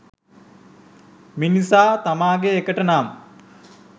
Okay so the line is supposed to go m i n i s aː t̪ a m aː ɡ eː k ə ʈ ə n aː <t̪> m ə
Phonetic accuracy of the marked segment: incorrect: none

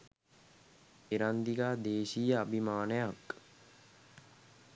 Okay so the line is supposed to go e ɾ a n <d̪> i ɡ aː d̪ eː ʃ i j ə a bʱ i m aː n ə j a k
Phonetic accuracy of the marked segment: correct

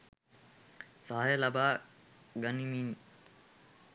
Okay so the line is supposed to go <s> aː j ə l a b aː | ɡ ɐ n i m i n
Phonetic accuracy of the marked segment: correct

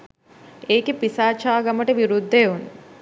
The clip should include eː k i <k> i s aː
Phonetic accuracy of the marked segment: incorrect: p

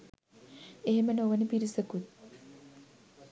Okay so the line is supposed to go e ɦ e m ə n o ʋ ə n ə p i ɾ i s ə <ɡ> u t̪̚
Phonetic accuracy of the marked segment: incorrect: k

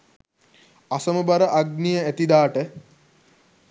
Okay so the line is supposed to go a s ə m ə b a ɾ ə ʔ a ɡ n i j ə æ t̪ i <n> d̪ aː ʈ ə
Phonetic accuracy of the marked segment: incorrect: none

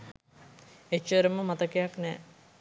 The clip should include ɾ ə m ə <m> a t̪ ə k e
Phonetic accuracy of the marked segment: correct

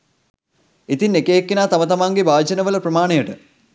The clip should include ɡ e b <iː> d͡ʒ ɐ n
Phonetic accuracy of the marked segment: incorrect: aː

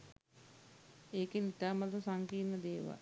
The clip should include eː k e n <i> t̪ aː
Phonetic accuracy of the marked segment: correct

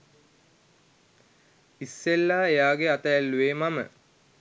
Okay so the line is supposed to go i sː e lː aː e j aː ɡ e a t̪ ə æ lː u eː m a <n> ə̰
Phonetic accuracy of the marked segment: incorrect: m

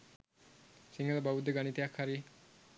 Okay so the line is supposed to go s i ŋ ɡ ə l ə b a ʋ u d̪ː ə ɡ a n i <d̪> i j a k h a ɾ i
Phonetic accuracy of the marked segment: incorrect: t̪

